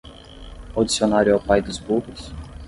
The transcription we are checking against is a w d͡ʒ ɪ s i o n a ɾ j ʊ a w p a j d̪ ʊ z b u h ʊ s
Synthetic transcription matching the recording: a w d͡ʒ i s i o n a ɾ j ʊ a w p a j d̪ ʊ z b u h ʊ s